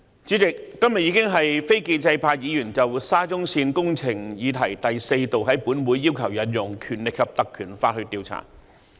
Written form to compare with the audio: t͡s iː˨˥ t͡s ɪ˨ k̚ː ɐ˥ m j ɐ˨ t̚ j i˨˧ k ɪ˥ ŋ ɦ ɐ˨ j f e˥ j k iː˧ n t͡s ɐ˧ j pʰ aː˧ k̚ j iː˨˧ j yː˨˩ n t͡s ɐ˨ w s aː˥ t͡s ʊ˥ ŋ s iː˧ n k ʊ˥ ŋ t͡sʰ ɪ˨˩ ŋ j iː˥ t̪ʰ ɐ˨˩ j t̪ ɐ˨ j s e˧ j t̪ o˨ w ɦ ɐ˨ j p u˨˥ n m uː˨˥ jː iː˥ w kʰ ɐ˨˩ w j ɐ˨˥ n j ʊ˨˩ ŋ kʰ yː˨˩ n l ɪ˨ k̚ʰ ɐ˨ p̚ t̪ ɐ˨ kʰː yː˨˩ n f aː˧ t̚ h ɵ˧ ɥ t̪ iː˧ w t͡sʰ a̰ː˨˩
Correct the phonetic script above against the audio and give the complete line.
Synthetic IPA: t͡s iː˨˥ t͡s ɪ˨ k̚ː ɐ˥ m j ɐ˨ t̚ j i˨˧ k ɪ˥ ŋ ɦ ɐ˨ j f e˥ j k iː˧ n t͡s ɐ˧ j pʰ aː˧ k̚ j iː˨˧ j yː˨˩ n t͡s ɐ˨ w s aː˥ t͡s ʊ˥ ŋ s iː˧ n k ʊ˥ ŋ t͡sʰ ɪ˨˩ ŋ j iː˨˧ t̪ʰ ɐ˨˩ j t̪ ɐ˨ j s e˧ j t̪ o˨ w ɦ ɐ˨˥ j p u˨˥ n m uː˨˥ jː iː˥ w kʰ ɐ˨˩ w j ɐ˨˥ n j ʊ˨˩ ŋ kʰ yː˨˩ n l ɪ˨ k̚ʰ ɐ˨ p̚ t̪ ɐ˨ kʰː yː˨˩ n f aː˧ t̚ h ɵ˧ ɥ t̪ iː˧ w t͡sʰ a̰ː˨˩

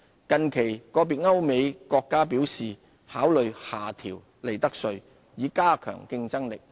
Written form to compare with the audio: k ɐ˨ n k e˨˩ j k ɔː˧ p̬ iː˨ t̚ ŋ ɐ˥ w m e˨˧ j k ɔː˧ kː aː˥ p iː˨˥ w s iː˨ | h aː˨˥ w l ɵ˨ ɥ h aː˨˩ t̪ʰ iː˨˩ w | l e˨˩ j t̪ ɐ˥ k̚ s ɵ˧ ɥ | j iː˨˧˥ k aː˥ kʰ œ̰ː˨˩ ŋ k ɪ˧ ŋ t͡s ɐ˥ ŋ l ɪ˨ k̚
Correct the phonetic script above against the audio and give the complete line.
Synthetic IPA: k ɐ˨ n kʰ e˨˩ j k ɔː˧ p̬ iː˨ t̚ ŋ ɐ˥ w m e˨˧ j k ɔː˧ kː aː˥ p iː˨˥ w s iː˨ | h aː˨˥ w l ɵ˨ ɥ h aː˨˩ t̪ʰ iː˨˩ w | l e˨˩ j t̪ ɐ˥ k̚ s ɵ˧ ɥ | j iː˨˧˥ k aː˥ kʰ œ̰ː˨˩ ŋ k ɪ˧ ŋ t͡s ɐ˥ ŋ l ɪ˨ k̚

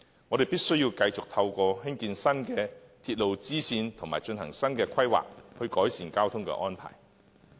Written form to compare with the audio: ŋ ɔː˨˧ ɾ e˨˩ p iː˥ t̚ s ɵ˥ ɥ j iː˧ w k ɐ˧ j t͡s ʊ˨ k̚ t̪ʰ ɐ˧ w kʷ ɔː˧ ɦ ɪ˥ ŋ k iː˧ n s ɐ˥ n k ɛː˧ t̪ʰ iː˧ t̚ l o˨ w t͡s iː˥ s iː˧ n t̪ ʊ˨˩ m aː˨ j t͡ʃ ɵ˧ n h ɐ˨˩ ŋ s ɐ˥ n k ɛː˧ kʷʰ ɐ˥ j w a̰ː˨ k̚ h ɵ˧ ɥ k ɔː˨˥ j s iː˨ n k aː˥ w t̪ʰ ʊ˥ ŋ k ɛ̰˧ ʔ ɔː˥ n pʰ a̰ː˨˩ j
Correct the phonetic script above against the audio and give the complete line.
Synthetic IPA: ŋ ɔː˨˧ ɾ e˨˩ p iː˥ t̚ s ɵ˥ ɥ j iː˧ w k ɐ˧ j t͡s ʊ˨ k̚ t̪ʰ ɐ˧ w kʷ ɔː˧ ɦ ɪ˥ ŋ k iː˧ n s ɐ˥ n k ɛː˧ t̪ʰ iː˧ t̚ l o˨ w t͡s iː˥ s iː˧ n t̪ʰ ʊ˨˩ m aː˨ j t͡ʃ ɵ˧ n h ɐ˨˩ ŋ s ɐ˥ n k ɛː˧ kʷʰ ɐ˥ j w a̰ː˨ k̚ h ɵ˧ ɥ k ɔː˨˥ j s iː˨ n k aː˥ w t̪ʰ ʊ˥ ŋ k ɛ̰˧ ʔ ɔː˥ n pʰ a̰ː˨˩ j

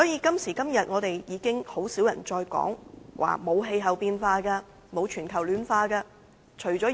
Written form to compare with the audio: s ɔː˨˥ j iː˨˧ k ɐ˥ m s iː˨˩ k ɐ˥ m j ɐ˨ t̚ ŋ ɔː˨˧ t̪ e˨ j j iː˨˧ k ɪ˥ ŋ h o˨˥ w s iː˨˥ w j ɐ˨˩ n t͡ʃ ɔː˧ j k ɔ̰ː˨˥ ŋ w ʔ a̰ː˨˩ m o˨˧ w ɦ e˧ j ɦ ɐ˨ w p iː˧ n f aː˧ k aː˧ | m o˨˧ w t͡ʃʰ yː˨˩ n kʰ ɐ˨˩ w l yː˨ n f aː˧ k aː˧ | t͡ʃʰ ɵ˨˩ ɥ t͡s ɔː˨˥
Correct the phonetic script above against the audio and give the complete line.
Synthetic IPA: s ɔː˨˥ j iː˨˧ k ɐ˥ m s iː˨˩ k ɐ˥ m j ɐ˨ t̚ ŋ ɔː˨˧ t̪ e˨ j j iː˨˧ k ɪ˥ ŋ h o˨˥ w s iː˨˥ w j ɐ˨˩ n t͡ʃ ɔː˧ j k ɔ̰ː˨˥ ŋ w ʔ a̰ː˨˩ m o˨˧ w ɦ e˧ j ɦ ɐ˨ w p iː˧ n f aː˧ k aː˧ | m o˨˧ w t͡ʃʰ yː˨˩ n kʰ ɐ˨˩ w l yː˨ n f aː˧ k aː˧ | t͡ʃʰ ɵ˨˩ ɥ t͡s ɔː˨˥

